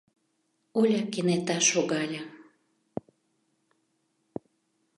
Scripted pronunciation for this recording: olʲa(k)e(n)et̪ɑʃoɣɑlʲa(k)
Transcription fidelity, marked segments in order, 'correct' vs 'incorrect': correct, correct, incorrect

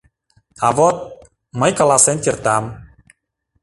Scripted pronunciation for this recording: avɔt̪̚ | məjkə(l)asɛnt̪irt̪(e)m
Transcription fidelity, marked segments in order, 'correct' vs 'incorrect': correct, incorrect

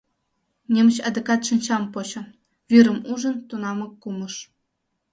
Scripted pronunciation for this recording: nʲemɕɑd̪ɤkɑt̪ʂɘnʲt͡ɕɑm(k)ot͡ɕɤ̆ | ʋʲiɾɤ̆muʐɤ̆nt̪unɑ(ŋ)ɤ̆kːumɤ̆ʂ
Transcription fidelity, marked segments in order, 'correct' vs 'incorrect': incorrect, incorrect

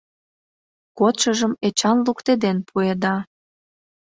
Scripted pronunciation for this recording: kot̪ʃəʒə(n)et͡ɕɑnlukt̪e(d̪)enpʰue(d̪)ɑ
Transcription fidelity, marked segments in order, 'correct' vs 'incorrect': incorrect, correct, correct

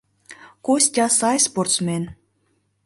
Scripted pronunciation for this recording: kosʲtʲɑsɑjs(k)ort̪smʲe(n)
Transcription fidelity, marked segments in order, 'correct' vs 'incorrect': incorrect, correct

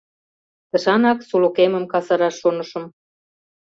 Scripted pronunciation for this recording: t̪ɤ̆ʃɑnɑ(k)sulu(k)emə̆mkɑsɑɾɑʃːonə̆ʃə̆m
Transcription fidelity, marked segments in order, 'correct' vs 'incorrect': correct, correct

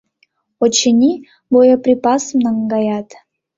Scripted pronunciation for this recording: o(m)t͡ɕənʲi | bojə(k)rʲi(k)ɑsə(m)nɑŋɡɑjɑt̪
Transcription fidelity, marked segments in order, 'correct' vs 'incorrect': incorrect, incorrect, incorrect, correct

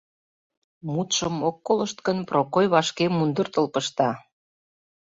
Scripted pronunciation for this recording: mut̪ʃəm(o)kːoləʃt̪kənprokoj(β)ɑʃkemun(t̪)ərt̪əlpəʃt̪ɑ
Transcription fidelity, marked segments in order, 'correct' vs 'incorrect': correct, correct, incorrect

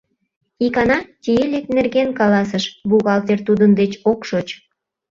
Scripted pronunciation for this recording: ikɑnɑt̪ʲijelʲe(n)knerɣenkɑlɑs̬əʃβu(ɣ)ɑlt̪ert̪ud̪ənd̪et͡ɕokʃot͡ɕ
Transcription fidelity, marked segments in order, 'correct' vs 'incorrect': incorrect, correct

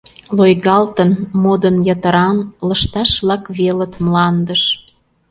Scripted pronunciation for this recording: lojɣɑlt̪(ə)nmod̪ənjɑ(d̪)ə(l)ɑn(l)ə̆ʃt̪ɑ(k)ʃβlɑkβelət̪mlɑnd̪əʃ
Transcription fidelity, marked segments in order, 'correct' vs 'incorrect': correct, incorrect, incorrect, correct, incorrect

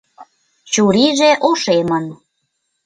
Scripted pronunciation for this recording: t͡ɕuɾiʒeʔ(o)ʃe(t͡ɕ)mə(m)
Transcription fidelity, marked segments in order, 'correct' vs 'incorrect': correct, incorrect, incorrect

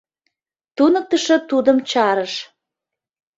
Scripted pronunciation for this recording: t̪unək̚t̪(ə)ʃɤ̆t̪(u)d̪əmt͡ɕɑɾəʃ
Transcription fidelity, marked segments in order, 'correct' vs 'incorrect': correct, correct

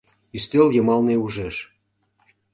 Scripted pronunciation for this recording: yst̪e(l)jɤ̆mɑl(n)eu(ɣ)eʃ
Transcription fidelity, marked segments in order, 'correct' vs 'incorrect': correct, correct, incorrect

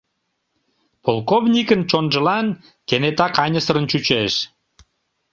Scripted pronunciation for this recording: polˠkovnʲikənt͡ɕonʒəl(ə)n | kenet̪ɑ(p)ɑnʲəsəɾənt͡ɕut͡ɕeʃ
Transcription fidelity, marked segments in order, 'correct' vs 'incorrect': incorrect, incorrect

